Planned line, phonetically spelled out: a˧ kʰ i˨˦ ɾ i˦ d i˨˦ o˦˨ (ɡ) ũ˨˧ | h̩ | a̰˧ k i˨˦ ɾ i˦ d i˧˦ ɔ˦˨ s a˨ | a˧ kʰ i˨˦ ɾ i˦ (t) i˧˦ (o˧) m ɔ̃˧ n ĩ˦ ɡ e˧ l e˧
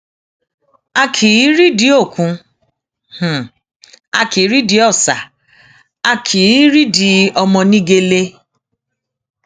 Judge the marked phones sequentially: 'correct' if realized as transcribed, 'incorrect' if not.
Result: incorrect, incorrect, incorrect

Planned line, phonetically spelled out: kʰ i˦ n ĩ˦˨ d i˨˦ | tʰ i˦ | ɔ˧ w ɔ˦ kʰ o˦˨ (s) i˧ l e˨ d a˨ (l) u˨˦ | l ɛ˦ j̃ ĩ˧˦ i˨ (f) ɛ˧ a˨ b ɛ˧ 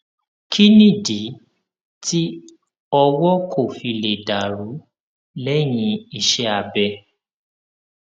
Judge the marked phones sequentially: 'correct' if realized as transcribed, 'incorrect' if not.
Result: incorrect, incorrect, incorrect

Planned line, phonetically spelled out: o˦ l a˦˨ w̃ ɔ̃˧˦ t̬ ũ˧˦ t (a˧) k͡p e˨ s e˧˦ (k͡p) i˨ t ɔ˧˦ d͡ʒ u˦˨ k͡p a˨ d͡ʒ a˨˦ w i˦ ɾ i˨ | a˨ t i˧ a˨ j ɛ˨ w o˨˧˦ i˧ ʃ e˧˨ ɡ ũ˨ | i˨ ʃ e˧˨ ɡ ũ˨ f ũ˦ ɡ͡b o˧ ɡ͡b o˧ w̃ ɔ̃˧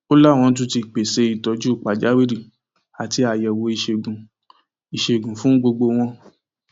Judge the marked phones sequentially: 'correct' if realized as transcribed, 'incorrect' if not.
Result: incorrect, incorrect

